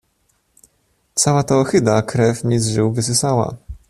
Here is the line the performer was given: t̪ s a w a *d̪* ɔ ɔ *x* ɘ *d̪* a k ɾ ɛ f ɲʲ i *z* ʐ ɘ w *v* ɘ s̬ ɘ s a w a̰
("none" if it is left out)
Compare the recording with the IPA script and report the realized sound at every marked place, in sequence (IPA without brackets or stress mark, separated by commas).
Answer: t̪, x, d̪, z, v